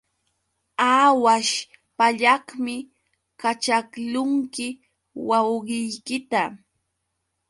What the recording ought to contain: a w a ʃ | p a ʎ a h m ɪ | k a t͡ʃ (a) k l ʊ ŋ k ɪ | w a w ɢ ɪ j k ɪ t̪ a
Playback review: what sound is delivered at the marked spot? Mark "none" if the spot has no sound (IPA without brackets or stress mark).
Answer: a